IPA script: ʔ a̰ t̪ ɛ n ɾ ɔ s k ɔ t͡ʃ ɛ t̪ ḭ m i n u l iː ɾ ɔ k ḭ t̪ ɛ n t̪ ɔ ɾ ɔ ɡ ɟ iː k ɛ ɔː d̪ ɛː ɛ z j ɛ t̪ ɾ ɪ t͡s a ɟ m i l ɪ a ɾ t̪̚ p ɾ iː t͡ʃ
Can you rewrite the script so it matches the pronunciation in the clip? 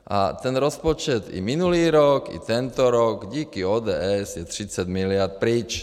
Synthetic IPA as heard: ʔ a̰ t̪ ɛ n ɾ ɔ s p ɔ t͡ʃ ɛ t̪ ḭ m i n u l iː ɾ ɔ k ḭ t̪ ɛ n t̪ ɔ ɾ ɔ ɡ ɟ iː k i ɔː d̪ ɛː ɛ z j ɛ t̪ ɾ i t͡s a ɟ m i l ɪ a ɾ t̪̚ p ɾ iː t͡ʃ